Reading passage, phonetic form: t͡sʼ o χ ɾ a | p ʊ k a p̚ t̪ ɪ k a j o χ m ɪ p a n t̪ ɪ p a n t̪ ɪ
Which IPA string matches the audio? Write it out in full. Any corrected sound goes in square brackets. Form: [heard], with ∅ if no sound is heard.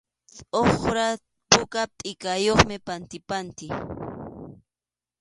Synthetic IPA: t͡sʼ o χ ɾ a | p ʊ k a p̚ [t̪ʼ] ɪ k a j o χ m ɪ p a n t̪ ɪ p a n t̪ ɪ